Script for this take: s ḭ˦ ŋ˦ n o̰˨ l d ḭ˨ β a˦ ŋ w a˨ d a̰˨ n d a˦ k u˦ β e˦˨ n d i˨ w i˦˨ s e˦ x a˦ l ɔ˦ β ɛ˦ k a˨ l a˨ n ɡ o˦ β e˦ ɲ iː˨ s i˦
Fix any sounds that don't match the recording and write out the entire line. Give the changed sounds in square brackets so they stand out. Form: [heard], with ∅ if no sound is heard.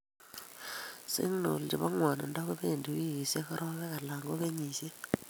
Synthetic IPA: s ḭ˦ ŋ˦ n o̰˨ l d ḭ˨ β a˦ ŋ w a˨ [n] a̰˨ n d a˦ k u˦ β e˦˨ n d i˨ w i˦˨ s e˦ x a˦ [ɾ] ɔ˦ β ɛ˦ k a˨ l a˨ [ŋ] ɡ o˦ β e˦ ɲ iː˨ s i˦